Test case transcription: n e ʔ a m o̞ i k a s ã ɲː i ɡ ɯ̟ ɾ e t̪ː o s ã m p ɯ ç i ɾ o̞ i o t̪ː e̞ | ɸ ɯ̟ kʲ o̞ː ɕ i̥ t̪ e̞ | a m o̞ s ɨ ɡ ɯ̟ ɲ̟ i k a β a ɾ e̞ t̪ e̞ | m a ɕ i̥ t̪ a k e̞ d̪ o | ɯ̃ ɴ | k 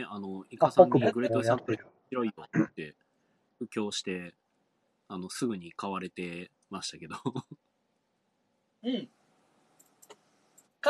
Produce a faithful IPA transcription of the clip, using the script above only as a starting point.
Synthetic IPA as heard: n e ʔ a n o̞ i k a s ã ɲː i ɡ ɯ̟ ɾ e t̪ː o s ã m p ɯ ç i ɾ o̞ i o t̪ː e̞ | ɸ ɯ̟ kʲ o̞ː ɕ i̥ t̪ e̞ | a n o̞ s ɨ ɡ ɯ̟ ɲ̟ i k a β a ɾ e̞ t̪ e̞ | m a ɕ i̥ t̪ a k e̞ d̪ o | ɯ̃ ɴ | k